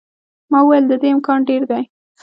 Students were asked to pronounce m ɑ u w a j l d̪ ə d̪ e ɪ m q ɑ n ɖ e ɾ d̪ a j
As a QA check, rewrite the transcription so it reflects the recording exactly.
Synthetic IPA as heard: m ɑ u w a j l d̪ ə d̪ e ɪ m k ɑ n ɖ e ɾ d̪ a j